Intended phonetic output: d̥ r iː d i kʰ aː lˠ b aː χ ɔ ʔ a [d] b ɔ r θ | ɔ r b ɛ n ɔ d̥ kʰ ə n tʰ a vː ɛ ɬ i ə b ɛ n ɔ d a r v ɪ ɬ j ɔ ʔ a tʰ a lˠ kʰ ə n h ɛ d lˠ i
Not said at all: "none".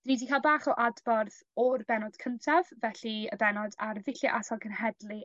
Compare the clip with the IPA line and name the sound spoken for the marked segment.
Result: d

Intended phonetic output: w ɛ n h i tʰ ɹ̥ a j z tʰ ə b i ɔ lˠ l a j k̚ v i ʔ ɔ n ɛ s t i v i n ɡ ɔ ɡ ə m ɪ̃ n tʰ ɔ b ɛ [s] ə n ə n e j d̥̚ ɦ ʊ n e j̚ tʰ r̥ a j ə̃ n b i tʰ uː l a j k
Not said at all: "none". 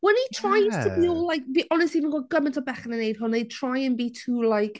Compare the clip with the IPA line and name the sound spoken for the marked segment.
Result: χ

